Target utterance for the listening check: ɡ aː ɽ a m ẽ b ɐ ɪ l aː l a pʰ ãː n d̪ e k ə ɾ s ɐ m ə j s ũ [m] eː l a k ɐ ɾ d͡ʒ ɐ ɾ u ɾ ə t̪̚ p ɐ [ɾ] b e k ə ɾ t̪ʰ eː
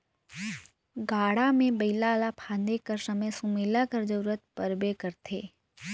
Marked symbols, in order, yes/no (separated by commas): yes, yes